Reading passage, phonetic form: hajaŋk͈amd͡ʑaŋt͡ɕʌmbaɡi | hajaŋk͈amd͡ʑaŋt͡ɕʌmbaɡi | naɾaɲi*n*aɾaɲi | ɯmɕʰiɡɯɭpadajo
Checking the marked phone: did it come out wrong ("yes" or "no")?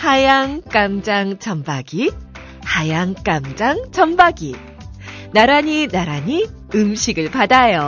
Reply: no